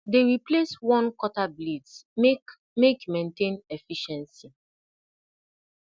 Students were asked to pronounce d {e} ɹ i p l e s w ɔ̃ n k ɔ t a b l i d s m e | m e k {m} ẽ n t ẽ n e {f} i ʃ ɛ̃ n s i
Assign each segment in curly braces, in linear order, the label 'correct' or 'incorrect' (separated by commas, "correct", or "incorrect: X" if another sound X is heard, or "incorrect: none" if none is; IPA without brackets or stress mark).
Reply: correct, correct, correct